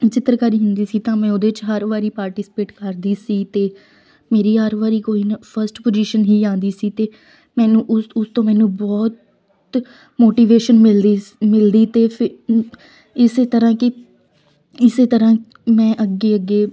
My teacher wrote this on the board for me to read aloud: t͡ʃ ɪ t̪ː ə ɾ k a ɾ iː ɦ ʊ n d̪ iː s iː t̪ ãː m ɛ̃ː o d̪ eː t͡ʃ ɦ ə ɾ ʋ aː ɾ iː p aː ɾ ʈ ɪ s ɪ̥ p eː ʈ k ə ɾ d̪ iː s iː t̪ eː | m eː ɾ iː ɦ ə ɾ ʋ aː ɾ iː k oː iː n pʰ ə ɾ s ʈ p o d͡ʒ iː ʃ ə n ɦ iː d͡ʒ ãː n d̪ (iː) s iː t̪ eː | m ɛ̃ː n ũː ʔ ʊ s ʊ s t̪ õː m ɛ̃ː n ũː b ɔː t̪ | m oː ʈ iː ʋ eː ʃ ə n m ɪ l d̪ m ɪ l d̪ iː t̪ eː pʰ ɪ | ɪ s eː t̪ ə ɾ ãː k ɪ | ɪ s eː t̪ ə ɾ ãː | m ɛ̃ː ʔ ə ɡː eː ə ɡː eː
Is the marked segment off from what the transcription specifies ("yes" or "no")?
no